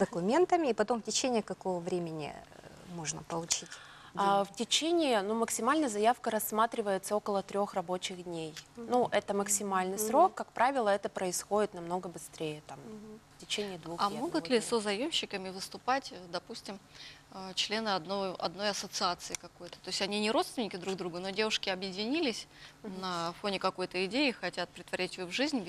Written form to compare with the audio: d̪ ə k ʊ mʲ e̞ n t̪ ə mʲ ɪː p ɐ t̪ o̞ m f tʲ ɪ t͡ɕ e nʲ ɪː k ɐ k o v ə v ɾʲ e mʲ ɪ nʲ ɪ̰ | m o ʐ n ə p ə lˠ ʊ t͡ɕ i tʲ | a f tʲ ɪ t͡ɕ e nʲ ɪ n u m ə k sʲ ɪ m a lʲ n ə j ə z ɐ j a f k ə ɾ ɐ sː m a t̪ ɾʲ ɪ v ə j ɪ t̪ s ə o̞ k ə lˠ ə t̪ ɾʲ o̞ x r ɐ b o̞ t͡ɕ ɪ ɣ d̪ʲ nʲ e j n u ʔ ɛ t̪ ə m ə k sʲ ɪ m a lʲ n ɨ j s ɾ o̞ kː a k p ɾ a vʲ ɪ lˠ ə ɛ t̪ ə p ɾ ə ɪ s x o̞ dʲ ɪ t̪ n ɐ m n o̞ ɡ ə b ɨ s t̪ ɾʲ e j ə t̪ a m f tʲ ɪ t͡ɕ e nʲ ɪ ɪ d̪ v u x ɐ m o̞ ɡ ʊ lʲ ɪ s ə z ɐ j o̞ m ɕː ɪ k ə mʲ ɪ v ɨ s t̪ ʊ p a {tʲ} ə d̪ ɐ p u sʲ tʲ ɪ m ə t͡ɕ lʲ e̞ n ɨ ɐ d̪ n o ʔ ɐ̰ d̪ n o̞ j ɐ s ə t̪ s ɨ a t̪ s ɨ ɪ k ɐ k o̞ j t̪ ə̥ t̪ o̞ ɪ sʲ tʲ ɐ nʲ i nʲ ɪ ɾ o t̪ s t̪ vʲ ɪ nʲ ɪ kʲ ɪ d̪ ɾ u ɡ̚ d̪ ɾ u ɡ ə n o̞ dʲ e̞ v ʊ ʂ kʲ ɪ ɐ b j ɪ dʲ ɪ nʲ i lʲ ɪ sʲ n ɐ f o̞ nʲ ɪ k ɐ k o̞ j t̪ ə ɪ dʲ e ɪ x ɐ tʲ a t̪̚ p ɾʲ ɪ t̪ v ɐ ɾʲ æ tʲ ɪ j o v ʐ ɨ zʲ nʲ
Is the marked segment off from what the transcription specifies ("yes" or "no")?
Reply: no